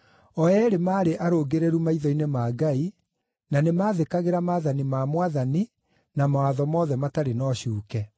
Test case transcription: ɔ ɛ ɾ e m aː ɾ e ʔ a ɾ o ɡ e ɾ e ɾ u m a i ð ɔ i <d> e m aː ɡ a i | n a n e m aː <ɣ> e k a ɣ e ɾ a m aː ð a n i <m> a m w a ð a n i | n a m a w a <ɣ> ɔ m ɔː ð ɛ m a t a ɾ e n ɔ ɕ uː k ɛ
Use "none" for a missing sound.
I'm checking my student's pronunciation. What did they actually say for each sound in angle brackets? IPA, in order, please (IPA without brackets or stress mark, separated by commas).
n, ð, m, ð